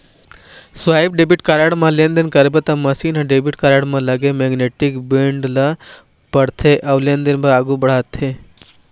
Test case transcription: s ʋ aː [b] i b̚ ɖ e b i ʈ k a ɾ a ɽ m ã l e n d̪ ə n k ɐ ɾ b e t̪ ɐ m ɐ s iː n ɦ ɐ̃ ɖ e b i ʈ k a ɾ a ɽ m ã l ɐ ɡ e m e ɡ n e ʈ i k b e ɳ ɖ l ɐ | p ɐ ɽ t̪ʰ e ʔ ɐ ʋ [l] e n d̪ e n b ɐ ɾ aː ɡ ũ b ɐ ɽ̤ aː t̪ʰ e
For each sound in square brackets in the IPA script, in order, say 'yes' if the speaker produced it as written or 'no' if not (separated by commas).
no, yes